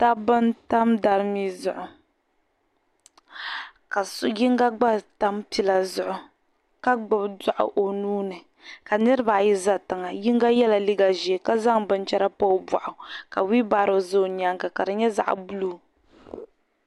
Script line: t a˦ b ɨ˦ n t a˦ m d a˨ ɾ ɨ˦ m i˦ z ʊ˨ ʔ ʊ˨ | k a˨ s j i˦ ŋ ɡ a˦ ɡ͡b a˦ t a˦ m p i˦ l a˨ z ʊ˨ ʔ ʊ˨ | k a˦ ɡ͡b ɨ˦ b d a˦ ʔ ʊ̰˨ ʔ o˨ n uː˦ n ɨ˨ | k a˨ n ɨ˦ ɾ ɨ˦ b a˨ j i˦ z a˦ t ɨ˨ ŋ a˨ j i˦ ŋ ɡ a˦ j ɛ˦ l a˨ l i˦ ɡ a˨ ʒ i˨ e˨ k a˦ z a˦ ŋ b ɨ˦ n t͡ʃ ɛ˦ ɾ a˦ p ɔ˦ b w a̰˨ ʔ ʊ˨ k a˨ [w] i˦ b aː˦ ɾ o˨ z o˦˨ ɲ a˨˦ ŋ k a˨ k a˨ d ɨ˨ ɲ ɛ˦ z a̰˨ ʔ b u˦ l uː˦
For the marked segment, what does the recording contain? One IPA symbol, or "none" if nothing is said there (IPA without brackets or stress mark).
w